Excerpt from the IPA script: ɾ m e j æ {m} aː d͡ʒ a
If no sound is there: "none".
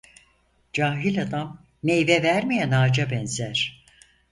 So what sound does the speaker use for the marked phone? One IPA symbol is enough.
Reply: n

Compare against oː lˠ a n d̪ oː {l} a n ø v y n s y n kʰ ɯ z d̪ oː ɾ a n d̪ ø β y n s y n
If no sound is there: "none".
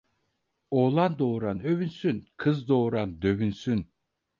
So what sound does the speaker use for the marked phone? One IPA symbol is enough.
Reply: ɾ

